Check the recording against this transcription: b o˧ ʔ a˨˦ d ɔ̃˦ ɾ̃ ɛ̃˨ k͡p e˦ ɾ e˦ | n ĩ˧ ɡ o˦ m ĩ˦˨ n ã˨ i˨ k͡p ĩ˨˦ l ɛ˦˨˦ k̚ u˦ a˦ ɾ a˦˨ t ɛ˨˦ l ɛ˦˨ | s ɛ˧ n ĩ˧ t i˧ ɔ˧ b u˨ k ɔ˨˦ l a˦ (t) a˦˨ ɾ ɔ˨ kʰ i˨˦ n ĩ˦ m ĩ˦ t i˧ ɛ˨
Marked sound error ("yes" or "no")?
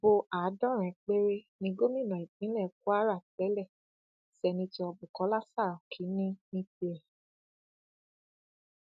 yes